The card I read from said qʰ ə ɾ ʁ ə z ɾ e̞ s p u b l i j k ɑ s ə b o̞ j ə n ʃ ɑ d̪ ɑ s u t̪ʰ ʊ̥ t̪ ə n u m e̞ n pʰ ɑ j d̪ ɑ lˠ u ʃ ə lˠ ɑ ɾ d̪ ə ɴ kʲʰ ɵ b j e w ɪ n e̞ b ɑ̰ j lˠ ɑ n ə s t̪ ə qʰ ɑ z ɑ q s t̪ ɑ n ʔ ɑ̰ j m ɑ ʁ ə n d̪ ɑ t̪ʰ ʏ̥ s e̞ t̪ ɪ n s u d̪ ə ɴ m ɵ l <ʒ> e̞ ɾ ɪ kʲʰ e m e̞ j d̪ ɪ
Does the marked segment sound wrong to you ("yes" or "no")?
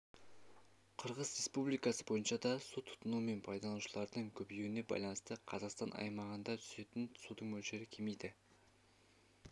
yes